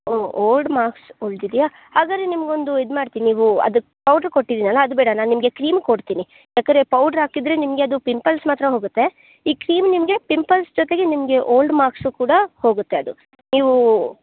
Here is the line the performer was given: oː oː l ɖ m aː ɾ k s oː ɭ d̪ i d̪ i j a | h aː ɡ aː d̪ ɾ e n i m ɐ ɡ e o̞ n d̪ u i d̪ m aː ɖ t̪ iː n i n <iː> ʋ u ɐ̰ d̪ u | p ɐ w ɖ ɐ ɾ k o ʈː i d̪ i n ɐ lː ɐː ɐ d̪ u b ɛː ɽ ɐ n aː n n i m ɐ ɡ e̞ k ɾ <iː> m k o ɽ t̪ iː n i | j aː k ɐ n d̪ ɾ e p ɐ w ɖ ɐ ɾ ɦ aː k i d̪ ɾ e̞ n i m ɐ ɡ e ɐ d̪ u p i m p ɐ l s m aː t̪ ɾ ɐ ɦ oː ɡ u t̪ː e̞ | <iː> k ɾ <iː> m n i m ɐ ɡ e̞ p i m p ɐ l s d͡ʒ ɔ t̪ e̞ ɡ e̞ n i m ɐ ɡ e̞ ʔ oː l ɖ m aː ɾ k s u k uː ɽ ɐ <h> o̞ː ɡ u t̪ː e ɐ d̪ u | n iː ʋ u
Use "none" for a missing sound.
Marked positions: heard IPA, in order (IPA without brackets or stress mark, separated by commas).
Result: iː, iː, iː, iː, h